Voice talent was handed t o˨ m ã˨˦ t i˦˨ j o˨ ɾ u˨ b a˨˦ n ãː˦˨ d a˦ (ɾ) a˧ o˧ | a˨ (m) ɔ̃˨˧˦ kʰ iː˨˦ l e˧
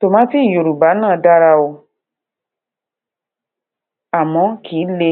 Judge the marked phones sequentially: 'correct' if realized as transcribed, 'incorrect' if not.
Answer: correct, correct

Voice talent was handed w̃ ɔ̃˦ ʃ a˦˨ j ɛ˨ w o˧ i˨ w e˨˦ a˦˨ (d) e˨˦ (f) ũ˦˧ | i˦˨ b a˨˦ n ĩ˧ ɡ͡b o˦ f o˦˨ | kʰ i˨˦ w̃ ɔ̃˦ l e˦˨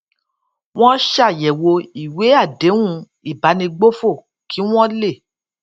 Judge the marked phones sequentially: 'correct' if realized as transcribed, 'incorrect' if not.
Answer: correct, incorrect

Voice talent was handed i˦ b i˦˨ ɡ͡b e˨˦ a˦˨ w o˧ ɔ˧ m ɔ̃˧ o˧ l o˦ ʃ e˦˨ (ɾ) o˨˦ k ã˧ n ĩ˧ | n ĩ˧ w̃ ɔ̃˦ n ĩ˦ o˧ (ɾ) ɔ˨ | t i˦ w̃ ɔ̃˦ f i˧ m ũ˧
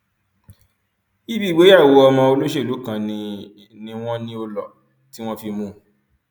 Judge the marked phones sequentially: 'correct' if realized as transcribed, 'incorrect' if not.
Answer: incorrect, incorrect

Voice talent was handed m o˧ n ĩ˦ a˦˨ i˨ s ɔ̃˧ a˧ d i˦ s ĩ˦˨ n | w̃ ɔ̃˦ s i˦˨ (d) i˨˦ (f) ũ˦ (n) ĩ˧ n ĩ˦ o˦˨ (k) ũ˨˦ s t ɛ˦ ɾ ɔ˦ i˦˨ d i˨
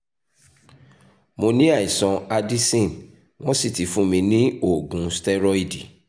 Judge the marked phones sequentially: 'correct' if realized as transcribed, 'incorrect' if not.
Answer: incorrect, correct, incorrect, incorrect

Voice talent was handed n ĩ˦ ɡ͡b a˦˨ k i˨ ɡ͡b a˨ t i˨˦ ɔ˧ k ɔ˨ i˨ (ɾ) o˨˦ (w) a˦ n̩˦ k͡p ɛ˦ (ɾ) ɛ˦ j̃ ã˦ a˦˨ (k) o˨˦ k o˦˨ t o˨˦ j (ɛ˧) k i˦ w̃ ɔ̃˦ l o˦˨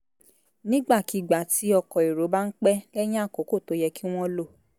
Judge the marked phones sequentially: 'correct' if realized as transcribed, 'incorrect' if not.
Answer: correct, incorrect, incorrect, correct, correct

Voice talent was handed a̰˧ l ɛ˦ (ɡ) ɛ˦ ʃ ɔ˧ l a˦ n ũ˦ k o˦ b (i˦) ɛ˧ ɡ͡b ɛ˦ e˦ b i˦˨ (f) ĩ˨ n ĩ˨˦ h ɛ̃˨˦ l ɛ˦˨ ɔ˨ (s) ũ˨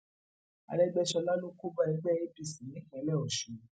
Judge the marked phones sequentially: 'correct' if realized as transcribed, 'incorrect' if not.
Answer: incorrect, incorrect, incorrect, incorrect

